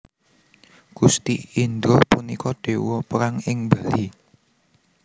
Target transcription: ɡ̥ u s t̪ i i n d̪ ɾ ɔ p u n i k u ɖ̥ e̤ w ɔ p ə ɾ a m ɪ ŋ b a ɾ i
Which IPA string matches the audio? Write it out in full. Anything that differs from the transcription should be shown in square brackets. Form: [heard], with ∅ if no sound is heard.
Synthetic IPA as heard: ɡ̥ u s t̪ i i n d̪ ɾ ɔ p u n i k [ɔ] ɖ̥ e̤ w ɔ p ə ɾ a [ŋ] ɪ ŋ b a [l] i